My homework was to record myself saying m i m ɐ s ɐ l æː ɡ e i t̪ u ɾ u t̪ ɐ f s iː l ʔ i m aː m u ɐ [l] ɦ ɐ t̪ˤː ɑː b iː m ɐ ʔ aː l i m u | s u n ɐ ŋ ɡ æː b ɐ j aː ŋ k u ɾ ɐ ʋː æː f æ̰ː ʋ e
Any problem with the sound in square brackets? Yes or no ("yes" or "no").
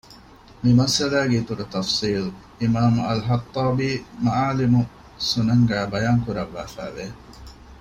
no